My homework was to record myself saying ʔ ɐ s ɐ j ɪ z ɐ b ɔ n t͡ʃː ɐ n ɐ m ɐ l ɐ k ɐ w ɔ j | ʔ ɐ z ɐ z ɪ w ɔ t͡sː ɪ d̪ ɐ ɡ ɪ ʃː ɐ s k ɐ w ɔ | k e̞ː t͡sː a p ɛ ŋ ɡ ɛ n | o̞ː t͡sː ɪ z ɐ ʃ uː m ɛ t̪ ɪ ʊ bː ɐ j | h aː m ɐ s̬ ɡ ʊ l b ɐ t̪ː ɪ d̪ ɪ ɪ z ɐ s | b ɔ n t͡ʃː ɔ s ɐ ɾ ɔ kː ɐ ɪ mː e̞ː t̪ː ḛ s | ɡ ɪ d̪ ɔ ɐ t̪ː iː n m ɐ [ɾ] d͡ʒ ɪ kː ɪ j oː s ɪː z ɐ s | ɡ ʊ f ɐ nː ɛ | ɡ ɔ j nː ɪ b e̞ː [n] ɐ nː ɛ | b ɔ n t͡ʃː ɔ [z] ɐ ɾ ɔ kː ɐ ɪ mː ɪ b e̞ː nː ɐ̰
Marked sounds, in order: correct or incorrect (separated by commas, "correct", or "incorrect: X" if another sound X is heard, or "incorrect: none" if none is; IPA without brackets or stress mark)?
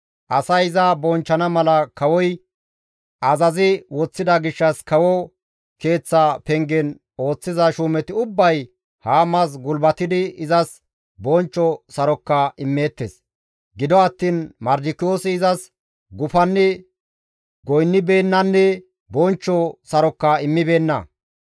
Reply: correct, incorrect: nː, incorrect: s